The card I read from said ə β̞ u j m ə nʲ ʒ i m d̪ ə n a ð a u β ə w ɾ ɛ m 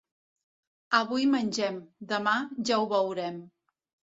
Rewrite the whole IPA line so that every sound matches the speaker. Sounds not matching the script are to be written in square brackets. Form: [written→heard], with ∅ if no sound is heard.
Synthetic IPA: ə β̞ u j m ə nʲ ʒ [i→ɛ] m d̪ ə [n→m] a [ð→ʒ] a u β ə w ɾ ɛ m